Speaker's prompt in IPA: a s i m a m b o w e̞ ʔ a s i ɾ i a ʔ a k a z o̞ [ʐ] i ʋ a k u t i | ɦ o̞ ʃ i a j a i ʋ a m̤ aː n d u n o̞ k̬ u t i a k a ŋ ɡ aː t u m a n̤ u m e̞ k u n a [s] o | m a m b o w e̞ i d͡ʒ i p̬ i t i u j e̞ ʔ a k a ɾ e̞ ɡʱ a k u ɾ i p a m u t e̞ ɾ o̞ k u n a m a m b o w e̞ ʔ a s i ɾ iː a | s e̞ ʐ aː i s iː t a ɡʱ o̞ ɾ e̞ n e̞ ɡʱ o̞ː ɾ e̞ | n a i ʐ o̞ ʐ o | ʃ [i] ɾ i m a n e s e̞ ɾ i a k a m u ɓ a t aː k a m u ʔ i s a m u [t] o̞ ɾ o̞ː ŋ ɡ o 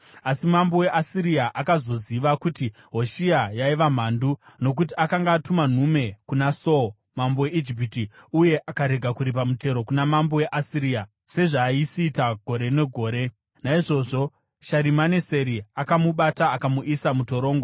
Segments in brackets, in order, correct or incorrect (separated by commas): incorrect, correct, incorrect, correct